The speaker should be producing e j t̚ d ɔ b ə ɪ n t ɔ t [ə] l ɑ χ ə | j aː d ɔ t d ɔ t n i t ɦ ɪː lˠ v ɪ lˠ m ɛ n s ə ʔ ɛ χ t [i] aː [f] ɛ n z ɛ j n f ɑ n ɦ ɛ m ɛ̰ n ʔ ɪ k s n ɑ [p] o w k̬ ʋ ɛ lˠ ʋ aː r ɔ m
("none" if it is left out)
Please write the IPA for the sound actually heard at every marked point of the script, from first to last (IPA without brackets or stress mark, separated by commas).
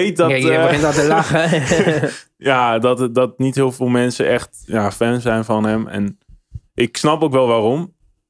ə, j, f, p